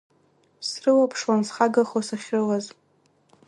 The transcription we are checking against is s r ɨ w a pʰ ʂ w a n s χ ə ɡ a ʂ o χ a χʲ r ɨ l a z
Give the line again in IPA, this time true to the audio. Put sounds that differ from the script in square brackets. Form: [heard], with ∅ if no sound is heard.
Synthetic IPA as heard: s r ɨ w a pʰ ʂ w a n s χ [a] ɡ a [χ] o [s] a χʲ r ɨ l a z